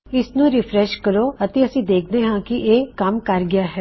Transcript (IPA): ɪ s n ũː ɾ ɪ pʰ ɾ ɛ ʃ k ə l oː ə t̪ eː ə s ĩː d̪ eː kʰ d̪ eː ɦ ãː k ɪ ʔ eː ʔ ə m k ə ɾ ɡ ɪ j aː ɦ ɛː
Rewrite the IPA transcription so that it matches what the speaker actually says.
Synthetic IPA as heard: ɪ s n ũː ɾ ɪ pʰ ɾ ɛ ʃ k ə ɾ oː ə t̪ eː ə s ĩː d̪ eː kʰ d̪ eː ɦ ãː k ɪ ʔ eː k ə m k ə ɾ ɡ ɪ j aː ɦ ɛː